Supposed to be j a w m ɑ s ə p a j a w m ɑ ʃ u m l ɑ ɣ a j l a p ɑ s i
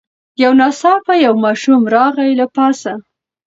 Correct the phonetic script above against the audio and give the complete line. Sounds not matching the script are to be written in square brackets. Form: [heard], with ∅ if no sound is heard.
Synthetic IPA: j a w [n] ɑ s [ɑ] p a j a w m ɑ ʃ u m [ɾ] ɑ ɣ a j l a p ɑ s [a]

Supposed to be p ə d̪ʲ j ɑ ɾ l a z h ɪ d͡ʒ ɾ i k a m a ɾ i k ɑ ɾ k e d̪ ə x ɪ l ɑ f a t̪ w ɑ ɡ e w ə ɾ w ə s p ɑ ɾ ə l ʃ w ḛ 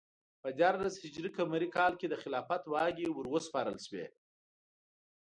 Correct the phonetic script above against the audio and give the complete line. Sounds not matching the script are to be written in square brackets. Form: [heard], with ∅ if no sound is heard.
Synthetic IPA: p ə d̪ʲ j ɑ ɾ l a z h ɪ d͡ʒ ɾ i k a m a ɾ i k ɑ [l] k e d̪ ə x ɪ l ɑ f a t̪ w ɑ ɡ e w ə ɾ w ə s p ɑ ɾ ə l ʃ w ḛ

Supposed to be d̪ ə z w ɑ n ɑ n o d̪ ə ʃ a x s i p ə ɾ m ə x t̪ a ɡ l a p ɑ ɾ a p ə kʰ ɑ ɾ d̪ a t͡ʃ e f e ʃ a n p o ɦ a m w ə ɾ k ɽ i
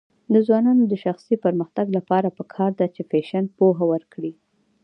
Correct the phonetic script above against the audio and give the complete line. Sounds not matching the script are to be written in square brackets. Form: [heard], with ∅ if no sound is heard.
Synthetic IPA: d̪ ə z w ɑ n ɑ n o d̪ ə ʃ a x s i p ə ɾ m ə x t̪ a ɡ l a p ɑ ɾ a p ə kʰ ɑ ɾ d̪ a t͡ʃ e f e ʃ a n p o ɦ a [∅] w ə ɾ k ɽ i

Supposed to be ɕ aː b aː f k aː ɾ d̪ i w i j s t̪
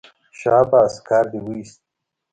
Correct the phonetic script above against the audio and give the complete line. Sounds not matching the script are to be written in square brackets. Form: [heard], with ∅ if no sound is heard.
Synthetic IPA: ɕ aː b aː [s] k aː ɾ d̪ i w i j s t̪

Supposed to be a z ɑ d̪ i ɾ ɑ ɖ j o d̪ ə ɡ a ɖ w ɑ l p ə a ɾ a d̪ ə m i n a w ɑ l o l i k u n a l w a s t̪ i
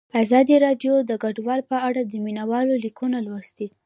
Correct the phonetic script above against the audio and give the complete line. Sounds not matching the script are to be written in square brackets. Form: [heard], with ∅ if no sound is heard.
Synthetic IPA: a z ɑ d̪ i ɾ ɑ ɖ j o d̪ ə ɡ a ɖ w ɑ l p ə a [ɽ] a d̪ ə m i n a w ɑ l o l i k u n a l w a s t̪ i

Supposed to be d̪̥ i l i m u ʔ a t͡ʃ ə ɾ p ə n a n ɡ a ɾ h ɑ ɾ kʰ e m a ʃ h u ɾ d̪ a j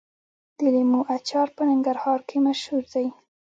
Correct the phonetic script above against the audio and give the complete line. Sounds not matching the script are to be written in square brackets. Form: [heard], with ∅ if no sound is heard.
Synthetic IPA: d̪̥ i l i m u ʔ a t͡ʃ [ɑ] ɾ p ə n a [ŋ] ɡ a ɾ h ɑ ɾ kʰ e m a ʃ h u ɾ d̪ a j

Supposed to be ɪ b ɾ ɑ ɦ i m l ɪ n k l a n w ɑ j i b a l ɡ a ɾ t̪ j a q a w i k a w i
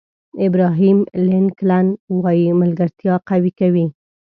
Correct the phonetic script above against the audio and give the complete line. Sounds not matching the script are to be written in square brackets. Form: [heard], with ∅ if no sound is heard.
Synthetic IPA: ɪ b ɾ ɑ ɦ i m l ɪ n k l a n w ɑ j i [m] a l ɡ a ɾ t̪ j [ɑ] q a w i k a w i

